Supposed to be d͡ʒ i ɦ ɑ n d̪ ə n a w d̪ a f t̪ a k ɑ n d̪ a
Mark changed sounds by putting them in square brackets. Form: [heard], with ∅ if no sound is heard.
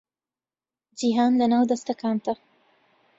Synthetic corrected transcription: d͡ʒ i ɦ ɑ n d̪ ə n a w d̪ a [s] t̪ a k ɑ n [t̪] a